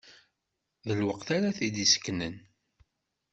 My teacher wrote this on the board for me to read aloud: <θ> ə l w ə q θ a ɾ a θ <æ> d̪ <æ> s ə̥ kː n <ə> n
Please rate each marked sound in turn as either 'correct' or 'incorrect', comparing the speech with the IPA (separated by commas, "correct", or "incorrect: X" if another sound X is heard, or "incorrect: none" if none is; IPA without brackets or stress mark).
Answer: incorrect: ð, incorrect: i, incorrect: i, correct